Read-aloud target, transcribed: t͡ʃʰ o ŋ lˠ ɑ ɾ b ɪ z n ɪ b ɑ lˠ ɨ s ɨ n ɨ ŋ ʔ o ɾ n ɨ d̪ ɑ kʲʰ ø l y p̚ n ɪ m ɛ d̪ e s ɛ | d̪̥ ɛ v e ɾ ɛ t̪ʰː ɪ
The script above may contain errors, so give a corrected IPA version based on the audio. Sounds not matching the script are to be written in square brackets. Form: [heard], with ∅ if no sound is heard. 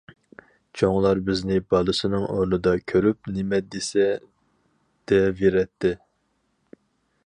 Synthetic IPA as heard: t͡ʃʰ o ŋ lˠ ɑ ɾ b ɪ z n ɪ b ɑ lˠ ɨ s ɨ n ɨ ŋ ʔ o ɾ n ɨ d̪ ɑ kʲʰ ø [ɾ] y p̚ n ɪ m ɛ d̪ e s ɛ | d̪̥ ɛ v e ɾ ɛ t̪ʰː ɪ

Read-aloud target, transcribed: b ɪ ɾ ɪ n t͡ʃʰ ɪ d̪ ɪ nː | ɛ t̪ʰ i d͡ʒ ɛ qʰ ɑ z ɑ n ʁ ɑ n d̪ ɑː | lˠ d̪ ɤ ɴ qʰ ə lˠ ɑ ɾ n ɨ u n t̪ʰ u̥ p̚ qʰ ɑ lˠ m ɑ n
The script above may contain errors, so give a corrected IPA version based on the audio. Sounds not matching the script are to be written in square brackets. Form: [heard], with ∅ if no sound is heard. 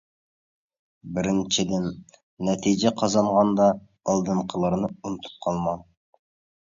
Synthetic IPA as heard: b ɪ ɾ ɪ n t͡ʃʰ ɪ d̪ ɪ nː | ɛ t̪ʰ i d͡ʒ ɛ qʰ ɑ z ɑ [ɴ] ʁ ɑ n d̪ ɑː | lˠ d̪ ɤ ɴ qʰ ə lˠ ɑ ɾ n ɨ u n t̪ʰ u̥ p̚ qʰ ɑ lˠ m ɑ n

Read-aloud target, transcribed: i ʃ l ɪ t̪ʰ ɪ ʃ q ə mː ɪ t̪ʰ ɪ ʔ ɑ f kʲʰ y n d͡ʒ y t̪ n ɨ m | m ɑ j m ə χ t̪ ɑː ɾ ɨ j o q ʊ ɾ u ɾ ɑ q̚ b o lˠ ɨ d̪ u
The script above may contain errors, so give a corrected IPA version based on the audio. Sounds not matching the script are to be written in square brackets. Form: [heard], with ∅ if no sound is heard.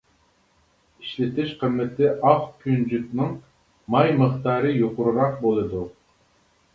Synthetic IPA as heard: i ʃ l ɪ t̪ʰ ɪ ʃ q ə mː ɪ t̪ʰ ɪ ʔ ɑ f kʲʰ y n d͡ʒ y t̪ n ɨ [ŋ] | m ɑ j m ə χ t̪ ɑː ɾ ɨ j o q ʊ ɾ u ɾ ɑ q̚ b o lˠ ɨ d̪ u

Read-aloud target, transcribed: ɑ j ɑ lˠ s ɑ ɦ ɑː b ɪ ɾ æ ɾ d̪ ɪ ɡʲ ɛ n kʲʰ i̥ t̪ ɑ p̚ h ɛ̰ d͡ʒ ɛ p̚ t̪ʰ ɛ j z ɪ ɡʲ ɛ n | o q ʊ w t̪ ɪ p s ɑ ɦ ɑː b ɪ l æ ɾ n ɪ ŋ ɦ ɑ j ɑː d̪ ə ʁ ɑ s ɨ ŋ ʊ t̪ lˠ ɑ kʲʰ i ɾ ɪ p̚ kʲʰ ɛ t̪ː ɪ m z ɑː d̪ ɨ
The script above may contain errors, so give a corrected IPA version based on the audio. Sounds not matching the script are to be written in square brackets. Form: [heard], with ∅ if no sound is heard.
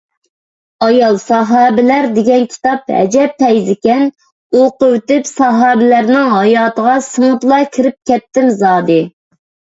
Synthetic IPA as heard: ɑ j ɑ lˠ s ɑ ɦ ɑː b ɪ [l] æ ɾ d̪ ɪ ɡʲ ɛ n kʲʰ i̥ t̪ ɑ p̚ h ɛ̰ d͡ʒ ɛ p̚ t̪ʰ ɛ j z ɪ [kʲ] ɛ n | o q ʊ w t̪ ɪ p s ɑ ɦ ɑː b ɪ l æ ɾ n ɪ ŋ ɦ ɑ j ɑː [t̪] ə ʁ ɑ s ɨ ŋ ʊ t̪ lˠ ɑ kʲʰ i ɾ ɪ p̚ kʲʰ ɛ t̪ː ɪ m z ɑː d̪ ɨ

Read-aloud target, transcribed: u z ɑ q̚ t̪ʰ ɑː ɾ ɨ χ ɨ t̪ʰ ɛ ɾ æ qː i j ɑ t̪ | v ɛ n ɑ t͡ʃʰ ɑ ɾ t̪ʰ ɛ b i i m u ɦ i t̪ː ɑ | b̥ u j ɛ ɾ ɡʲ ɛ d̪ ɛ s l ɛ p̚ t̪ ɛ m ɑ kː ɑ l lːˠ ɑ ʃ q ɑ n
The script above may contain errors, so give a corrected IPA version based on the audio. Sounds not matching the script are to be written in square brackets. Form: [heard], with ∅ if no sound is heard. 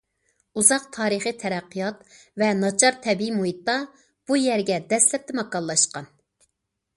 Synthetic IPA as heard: u z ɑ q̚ t̪ʰ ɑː ɾ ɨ χ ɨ t̪ʰ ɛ ɾ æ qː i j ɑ t̪ | v ɛ n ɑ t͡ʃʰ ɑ ɾ t̪ʰ ɛ b i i m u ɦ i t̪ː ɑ | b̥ u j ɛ ɾ ɡʲ ɛ d̪ ɛ s l ɛ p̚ t̪ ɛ m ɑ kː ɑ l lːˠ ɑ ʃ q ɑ n

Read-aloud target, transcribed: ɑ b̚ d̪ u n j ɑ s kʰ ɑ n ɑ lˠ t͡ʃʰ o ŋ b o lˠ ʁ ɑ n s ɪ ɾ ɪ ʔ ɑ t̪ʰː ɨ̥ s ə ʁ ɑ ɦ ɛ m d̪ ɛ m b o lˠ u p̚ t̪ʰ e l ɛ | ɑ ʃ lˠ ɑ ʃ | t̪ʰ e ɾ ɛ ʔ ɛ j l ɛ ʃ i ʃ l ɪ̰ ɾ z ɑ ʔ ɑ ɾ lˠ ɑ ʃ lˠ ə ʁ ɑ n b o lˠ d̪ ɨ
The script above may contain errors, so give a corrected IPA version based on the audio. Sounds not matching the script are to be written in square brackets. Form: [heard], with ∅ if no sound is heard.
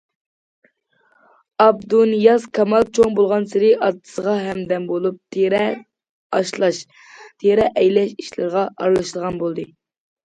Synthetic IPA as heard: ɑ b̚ d̪ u n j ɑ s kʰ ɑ [m] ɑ lˠ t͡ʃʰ o ŋ b o lˠ ʁ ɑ n s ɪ ɾ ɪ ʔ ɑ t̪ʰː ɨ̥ s ə ʁ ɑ ɦ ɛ m d̪ ɛ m b o lˠ u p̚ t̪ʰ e [ɾ] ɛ | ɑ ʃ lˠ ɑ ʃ | t̪ʰ e ɾ ɛ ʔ ɛ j l ɛ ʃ i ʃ l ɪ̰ ɾ [ʁ] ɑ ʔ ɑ ɾ lˠ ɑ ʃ lˠ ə ʁ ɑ n b o lˠ d̪ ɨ

